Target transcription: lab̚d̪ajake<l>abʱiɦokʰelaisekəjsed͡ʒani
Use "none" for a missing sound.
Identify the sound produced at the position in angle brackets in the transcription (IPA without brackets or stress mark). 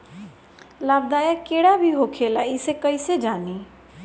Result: ɽ